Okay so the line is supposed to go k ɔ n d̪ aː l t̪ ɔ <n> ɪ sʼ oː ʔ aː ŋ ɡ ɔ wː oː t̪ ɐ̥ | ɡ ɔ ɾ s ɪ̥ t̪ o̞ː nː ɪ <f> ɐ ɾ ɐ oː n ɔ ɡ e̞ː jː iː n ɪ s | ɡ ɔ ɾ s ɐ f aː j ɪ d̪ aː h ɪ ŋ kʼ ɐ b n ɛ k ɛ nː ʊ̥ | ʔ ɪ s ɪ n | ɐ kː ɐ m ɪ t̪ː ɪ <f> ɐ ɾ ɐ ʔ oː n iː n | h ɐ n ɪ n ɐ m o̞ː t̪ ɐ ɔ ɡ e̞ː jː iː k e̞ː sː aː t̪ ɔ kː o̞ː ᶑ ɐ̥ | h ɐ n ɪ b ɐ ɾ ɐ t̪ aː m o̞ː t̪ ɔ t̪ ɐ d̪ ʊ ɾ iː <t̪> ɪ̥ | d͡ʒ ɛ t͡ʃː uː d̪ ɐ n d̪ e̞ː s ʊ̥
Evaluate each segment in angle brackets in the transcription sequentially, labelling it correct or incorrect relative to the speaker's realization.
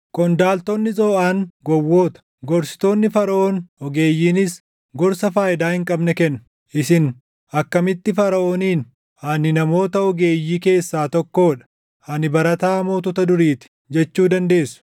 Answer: incorrect: nː, correct, correct, correct

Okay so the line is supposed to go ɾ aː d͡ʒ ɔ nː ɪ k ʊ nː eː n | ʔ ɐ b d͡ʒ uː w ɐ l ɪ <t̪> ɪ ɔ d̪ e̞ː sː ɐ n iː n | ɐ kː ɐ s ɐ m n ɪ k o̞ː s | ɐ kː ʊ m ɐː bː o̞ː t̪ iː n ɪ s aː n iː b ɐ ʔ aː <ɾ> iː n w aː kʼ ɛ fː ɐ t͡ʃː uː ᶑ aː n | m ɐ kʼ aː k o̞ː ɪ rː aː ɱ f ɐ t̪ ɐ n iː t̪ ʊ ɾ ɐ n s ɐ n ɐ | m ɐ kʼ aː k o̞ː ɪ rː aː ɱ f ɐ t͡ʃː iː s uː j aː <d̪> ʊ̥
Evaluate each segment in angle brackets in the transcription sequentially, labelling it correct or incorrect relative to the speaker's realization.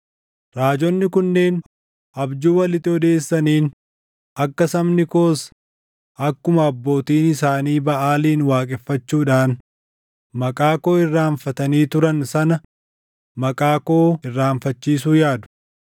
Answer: correct, incorrect: l, correct

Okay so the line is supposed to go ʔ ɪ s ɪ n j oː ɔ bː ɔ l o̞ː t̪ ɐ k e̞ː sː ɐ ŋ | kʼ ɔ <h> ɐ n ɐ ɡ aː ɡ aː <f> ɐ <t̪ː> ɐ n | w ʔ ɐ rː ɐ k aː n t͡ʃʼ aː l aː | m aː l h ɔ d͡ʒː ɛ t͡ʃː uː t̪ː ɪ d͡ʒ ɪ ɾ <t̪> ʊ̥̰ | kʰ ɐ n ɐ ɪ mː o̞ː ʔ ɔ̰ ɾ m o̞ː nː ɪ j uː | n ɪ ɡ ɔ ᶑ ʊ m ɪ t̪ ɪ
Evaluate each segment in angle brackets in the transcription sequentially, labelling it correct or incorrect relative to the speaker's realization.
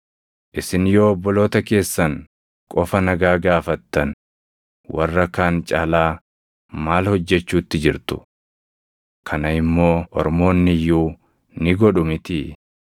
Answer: incorrect: f, correct, correct, correct

